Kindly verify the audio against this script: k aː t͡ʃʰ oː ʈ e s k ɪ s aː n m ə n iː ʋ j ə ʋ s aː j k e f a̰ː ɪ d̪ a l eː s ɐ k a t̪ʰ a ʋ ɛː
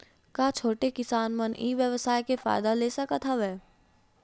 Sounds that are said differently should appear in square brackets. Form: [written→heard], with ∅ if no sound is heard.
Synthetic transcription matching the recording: k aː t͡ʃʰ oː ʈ e [s→∅] k ɪ s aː n m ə n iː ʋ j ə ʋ s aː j k e f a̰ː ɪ d̪ a l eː s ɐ k a t̪ʰ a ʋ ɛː